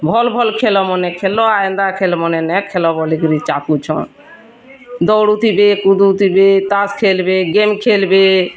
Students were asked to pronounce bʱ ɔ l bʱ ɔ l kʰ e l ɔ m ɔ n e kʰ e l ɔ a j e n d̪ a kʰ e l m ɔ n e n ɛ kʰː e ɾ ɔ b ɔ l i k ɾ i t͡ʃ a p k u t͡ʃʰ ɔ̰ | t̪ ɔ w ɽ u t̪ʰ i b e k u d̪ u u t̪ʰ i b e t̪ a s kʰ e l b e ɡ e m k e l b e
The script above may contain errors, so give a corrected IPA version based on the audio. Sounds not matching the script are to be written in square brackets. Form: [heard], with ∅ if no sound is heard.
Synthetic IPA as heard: bʱ ɔ l bʱ ɔ l kʰ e l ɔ m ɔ n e kʰ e l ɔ a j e n d̪ a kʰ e l m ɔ n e n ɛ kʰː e [l] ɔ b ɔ l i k ɾ i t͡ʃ a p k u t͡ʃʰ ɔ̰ | [d̪] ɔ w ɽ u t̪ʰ i b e k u d̪ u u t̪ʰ i b e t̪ a s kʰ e l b e ɡ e m [kʰ] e l b e